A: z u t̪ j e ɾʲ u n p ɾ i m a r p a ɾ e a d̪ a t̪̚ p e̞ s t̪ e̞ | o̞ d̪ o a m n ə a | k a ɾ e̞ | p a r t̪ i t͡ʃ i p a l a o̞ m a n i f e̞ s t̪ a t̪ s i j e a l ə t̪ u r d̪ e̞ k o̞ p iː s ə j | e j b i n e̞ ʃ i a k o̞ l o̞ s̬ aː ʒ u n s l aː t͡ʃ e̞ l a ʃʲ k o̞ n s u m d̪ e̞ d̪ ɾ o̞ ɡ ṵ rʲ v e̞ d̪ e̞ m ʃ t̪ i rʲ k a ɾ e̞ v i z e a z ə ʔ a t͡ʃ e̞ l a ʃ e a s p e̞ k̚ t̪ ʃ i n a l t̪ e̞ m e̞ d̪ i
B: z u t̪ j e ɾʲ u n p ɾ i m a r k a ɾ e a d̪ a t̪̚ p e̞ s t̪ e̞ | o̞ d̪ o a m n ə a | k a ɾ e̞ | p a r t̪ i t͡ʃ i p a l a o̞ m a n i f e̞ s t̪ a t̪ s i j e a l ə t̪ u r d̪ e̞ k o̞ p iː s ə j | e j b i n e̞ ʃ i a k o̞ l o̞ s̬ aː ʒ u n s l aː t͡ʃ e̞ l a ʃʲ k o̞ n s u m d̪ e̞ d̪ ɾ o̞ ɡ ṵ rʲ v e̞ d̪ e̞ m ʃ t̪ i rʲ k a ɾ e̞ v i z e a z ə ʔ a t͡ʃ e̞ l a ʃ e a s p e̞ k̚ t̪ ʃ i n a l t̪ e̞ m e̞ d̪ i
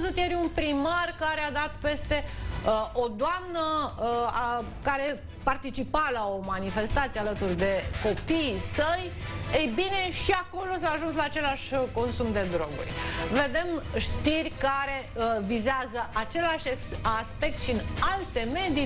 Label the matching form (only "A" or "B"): B